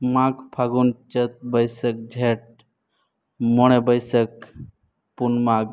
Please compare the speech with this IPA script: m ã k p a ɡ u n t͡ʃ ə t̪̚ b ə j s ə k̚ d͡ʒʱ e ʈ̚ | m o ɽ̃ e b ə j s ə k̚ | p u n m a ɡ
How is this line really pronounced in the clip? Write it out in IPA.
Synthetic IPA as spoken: m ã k pʰ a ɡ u n t͡ʃ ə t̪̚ b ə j s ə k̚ d͡ʒʱ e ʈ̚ | m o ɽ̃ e b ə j s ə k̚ | p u n m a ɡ